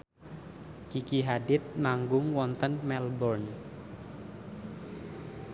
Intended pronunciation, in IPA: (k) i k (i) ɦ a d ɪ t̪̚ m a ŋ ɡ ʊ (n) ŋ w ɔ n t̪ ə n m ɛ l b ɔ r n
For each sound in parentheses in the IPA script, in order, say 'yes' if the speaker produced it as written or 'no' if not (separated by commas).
yes, yes, no